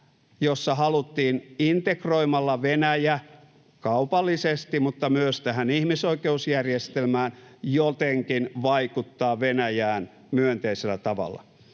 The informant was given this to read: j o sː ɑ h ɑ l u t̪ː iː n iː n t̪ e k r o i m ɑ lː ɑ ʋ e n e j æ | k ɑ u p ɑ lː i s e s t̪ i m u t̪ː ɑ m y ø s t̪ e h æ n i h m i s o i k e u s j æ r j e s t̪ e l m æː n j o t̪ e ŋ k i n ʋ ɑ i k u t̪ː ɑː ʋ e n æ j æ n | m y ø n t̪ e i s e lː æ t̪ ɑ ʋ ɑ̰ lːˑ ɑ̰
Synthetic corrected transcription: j o sː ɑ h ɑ l u t̪ː iː n i n t̪ e k r o i m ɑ lː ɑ ʋ e n æ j æ | k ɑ u p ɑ lː i s e s t̪ i m u t̪ː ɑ m y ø s t̪ æ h æ n i h m i s o i k e u s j æ r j e s t̪ e l m æː n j o t̪ e ŋ k i n ʋ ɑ i k u t̪ː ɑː ʋ e n æ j æː n | m y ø n t̪ e i s e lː æ t̪ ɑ ʋ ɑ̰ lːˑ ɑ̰